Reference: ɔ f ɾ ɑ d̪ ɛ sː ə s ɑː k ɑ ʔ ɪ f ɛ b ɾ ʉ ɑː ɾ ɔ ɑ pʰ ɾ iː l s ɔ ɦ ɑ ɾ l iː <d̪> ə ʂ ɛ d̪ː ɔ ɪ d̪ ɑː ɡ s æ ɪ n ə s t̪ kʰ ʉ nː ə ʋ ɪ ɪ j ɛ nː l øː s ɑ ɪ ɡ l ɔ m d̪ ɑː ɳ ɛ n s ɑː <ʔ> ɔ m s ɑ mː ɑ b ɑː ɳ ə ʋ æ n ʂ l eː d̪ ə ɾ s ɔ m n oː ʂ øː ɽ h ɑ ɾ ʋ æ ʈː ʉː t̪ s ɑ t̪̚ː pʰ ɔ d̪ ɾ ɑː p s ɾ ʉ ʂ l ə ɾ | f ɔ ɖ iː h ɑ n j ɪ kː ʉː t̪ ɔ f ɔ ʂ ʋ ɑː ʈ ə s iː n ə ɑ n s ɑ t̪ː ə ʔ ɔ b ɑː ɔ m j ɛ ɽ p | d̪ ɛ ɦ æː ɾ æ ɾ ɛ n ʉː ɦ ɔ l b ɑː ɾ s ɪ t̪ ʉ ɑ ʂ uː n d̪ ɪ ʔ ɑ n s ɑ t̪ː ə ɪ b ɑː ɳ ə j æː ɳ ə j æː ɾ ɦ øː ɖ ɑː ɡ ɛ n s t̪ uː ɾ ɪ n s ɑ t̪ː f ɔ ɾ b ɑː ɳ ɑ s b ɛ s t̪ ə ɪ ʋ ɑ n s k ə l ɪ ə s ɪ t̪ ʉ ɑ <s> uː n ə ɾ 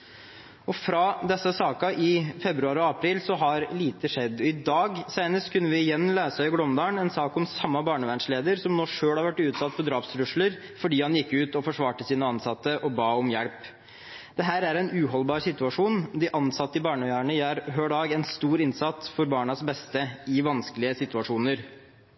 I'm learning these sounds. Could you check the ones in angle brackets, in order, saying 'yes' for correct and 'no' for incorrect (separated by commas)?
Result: no, no, no